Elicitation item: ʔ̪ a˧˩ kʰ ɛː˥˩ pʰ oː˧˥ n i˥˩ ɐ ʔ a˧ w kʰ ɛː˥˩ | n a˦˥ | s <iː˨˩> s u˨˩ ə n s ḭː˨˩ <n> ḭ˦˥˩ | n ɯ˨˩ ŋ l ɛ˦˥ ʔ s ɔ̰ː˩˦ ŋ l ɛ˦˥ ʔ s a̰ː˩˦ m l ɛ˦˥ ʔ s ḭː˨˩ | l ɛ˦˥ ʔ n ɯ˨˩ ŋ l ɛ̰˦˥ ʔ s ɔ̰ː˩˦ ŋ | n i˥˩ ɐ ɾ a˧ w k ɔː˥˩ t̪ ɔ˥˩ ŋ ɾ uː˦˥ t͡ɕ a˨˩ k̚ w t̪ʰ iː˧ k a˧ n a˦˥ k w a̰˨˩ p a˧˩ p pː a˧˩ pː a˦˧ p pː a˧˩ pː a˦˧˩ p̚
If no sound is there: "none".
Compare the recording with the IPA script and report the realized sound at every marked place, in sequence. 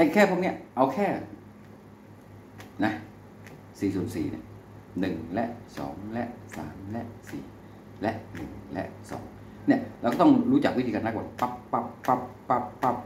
iː˨˩, n

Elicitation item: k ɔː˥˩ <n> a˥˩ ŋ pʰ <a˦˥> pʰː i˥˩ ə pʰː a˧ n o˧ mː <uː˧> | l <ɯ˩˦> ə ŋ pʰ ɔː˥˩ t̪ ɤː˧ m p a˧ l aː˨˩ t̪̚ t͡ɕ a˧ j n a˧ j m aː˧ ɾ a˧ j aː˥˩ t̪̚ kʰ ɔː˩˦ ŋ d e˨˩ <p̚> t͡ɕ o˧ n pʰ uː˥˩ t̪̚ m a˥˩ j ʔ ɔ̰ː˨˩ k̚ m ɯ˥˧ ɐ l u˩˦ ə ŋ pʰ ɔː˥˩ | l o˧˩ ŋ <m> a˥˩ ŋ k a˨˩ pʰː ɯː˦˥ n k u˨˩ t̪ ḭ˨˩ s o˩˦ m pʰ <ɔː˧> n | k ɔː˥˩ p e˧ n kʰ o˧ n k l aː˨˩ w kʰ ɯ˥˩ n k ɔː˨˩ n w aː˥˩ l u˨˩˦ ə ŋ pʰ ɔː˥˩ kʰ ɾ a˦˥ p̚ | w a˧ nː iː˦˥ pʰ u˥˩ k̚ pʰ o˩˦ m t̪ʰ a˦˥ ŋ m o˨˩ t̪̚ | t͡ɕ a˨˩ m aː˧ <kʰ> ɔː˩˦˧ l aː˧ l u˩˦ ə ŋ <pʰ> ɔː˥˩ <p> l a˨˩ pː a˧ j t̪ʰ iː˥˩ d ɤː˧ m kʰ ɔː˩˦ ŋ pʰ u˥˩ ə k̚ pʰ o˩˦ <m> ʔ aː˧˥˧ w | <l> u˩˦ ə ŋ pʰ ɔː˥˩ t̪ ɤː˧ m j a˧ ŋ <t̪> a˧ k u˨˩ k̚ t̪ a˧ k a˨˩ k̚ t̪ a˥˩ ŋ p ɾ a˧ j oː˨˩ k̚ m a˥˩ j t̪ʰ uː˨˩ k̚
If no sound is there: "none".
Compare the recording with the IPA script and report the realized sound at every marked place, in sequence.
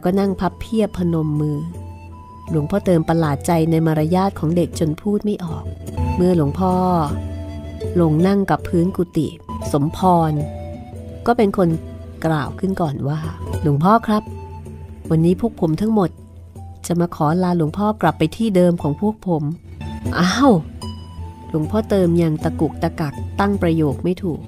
n, a˦˥, ɯː˧, u˩˦, k̚, n, ɔː˧, kʰ, pʰ, k, m, l, t̪

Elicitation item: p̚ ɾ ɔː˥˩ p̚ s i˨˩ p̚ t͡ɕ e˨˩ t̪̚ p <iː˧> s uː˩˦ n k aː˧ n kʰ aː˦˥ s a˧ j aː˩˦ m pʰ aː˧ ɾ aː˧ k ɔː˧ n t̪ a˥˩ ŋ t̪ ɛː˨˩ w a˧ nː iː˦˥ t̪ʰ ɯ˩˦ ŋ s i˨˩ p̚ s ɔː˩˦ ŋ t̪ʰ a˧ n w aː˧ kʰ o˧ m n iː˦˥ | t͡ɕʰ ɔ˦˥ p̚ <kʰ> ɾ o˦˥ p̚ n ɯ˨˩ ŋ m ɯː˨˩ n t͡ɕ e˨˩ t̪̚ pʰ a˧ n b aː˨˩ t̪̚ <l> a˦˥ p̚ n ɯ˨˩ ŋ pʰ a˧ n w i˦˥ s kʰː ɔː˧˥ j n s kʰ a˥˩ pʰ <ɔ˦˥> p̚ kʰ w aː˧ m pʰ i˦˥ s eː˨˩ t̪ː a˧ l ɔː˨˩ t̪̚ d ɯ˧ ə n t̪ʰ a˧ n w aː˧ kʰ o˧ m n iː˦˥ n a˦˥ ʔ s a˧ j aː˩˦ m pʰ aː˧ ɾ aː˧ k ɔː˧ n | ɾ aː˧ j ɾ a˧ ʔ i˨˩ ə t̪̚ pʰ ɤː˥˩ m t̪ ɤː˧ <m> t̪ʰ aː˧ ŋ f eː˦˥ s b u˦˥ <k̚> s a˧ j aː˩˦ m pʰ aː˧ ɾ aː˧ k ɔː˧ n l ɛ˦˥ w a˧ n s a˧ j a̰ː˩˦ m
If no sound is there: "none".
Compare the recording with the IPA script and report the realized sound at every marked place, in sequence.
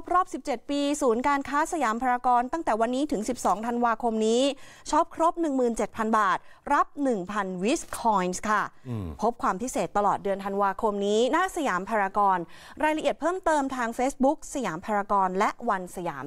iː˧, kʰ, ɾ, o˦˥, m, k̚

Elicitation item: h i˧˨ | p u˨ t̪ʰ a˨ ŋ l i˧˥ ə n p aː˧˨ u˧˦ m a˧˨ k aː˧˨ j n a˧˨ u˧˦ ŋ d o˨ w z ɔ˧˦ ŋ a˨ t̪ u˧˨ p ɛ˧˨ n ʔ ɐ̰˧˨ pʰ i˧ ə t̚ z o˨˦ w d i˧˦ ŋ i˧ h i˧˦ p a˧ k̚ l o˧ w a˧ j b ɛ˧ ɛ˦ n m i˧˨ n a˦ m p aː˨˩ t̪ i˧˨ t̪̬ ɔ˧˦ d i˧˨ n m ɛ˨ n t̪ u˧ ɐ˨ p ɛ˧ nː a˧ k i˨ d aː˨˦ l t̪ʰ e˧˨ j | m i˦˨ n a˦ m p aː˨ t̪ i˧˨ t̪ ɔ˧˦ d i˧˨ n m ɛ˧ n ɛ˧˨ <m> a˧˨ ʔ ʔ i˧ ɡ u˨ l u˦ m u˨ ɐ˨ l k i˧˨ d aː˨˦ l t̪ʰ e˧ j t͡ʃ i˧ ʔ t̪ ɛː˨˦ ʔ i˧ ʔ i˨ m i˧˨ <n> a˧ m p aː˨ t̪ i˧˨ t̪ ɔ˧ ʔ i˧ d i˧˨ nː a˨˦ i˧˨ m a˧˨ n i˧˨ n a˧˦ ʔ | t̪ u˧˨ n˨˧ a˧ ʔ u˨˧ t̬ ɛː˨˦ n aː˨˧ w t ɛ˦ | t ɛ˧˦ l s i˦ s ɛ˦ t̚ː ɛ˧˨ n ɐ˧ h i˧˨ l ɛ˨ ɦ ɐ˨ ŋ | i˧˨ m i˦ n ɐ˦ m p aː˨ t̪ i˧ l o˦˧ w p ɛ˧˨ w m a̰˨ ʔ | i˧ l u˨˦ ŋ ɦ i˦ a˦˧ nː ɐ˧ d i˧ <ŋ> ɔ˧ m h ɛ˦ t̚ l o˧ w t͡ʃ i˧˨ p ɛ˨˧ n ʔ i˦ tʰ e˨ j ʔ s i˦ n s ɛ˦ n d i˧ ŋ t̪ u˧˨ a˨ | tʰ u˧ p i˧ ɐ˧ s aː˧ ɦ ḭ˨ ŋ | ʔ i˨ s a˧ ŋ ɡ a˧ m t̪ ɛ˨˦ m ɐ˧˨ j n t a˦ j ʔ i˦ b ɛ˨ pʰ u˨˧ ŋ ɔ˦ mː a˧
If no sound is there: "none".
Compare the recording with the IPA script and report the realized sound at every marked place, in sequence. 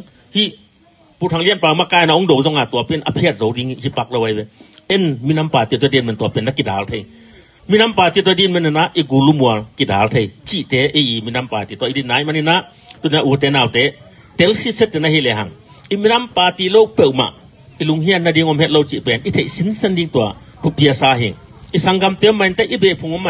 n, n, ŋ

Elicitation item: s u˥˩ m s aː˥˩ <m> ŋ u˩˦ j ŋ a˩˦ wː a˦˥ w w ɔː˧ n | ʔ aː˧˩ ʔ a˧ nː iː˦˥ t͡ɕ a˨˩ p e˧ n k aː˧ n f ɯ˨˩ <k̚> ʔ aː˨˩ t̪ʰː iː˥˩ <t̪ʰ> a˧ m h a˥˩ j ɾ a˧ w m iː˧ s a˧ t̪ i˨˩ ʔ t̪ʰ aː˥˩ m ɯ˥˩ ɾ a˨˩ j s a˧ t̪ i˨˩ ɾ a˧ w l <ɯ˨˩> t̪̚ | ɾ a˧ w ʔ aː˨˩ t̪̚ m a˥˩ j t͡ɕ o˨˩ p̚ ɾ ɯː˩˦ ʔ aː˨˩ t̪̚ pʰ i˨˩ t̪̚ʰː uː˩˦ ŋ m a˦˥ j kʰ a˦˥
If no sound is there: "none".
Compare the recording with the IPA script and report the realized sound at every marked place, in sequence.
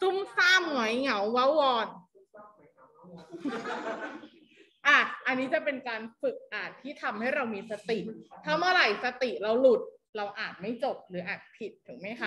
m, k̚, t̪ʰ, u˨˩

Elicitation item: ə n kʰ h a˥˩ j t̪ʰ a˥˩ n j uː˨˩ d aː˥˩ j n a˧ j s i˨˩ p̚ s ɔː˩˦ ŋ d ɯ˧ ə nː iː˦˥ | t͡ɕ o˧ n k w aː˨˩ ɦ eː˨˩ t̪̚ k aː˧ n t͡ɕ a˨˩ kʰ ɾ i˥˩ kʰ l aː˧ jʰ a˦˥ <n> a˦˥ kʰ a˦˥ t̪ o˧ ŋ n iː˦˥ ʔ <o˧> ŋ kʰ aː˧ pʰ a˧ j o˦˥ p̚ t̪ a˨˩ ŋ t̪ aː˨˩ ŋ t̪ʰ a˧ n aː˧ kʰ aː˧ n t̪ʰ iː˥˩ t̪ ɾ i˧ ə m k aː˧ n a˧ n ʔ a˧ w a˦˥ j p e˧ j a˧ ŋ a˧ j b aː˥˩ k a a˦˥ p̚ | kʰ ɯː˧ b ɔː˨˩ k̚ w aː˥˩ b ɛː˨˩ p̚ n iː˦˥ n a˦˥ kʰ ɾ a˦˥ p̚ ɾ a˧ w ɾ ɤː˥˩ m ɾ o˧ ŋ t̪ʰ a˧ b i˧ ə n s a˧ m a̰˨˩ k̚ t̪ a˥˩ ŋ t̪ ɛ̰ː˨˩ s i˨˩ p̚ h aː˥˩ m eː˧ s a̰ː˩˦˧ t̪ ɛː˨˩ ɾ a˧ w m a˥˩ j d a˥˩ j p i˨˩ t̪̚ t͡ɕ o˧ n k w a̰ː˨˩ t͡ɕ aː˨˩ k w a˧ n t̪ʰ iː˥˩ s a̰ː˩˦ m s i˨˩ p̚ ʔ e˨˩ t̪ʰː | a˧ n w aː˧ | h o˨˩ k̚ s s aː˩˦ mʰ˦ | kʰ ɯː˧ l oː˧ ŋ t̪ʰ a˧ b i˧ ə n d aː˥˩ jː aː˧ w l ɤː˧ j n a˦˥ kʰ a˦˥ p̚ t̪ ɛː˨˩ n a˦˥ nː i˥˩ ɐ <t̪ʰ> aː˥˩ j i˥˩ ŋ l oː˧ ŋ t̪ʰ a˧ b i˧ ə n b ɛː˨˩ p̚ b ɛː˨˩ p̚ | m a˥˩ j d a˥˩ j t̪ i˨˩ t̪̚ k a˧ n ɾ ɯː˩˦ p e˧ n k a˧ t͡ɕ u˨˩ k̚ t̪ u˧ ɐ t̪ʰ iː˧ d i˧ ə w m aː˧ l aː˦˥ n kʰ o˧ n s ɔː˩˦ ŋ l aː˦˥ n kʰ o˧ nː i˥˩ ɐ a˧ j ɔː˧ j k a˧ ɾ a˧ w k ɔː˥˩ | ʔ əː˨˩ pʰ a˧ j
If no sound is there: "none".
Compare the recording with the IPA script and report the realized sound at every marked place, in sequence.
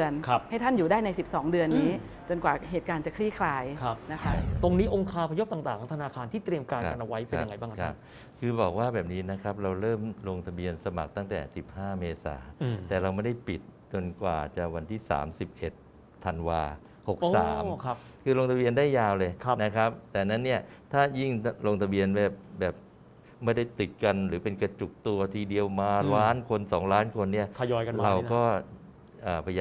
n, o˧, t̪ʰ

